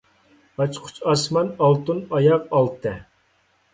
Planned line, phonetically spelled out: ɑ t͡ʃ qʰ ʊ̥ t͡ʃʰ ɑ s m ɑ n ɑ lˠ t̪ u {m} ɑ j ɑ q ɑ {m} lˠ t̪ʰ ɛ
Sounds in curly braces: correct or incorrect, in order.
incorrect: n, incorrect: none

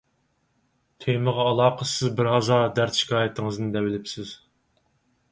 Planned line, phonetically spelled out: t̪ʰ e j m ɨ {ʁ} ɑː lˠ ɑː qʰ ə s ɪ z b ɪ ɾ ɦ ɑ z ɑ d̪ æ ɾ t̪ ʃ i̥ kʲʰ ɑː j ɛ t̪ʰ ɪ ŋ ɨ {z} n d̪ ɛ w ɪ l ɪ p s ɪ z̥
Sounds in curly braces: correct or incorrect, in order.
correct, correct

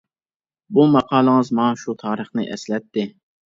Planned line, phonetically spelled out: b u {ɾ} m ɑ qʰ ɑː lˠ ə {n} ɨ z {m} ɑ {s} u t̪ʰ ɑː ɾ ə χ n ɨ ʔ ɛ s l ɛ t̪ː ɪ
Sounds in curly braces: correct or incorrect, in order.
incorrect: none, incorrect: ŋ, correct, incorrect: ʃ

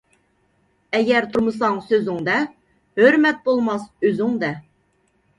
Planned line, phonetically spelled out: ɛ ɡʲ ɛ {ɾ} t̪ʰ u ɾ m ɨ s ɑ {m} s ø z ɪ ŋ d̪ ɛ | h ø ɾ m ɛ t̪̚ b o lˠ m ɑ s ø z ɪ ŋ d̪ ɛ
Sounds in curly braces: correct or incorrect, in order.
correct, incorrect: ŋ

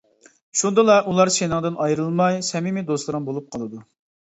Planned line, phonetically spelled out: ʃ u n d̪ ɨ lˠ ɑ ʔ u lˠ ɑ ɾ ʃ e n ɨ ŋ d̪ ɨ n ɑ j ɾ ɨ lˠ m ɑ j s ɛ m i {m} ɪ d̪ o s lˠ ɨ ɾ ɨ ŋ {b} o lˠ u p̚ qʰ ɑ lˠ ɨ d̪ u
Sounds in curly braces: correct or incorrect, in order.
correct, correct

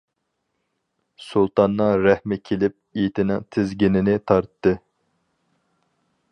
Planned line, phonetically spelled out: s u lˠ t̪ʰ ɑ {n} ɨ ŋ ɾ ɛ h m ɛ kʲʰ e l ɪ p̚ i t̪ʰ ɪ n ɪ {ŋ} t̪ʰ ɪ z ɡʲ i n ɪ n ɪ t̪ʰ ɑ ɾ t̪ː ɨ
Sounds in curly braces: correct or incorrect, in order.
incorrect: nː, correct

